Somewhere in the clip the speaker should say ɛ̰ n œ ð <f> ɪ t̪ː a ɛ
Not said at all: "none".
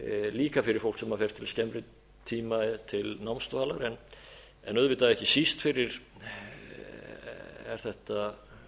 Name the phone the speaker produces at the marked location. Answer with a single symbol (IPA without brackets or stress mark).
v